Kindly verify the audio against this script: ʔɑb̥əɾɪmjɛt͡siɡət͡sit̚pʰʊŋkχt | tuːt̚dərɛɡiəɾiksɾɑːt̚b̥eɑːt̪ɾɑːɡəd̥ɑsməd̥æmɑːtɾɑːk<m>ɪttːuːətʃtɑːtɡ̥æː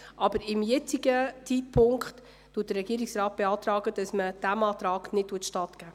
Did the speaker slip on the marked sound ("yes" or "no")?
yes